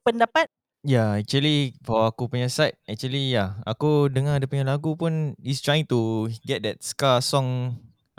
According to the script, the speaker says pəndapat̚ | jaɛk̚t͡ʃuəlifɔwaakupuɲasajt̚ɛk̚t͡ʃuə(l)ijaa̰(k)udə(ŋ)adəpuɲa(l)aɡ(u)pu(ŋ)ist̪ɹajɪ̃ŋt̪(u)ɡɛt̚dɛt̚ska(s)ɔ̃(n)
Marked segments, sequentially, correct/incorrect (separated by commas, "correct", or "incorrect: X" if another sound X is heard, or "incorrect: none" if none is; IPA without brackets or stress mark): correct, correct, correct, correct, correct, incorrect: n, correct, correct, incorrect: ŋ